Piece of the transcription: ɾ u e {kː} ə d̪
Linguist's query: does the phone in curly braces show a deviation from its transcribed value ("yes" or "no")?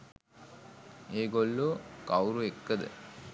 no